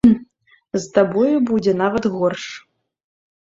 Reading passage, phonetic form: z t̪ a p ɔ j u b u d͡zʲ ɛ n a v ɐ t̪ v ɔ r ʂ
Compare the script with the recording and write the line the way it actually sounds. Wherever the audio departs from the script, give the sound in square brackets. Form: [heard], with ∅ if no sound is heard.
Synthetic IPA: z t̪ a [b] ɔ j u b u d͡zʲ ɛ n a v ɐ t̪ [ɣ] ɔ r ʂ